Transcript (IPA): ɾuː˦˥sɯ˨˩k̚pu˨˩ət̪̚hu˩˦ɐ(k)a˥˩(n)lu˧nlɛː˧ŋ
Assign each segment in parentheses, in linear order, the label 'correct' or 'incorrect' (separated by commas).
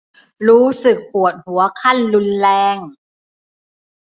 incorrect, correct